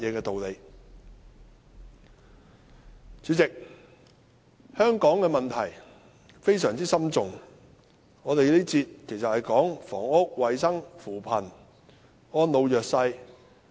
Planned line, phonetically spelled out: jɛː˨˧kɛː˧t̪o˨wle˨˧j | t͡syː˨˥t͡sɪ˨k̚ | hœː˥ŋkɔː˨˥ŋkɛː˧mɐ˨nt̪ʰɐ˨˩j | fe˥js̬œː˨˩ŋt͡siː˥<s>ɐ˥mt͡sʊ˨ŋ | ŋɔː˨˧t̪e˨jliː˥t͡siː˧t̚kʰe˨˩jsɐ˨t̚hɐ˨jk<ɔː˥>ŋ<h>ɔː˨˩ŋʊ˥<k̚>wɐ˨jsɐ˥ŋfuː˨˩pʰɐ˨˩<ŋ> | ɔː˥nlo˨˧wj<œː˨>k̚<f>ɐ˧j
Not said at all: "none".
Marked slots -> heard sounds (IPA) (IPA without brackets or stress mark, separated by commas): s, ɔː˨˥, f, k̚, n, œː˨, s